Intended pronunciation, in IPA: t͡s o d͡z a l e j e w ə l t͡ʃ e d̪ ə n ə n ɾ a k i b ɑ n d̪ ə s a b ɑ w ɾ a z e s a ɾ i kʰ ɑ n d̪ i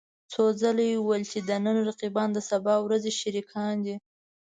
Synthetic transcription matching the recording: t͡s o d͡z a l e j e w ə l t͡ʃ e d̪ ə n ə n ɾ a q i b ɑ n d̪ ə s a b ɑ w ɾ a z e ʃ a ɾ i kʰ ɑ n d̪ i